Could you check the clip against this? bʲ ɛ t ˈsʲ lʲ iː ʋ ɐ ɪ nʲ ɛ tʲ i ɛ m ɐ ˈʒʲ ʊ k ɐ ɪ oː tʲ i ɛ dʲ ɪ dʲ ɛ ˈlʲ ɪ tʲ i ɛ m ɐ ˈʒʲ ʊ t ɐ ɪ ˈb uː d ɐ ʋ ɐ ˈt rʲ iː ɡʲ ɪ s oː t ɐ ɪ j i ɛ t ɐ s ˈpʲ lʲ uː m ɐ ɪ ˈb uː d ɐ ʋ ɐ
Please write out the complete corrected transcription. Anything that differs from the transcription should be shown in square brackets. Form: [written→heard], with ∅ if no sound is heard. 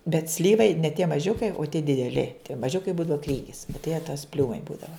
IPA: bʲ ɛ t ˈsʲ lʲ iː ʋ ɐ ɪ nʲ ɛ tʲ i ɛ m ɐ ˈʒʲ ʊ k ɐ ɪ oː tʲ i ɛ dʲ ɪ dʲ ɛ ˈlʲ ɪ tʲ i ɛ m ɐ ˈʒʲ ʊ [t→k] ɐ ɪ ˈb uː d ɐ ʋ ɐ [ˈt→ˈk] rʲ iː ɡʲ ɪ s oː t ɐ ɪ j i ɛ t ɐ s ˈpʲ lʲ uː m ɐ ɪ ˈb uː d ɐ ʋ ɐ